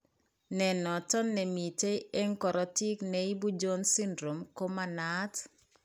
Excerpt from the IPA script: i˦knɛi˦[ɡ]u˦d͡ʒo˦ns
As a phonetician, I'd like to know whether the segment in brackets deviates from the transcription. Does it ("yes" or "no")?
yes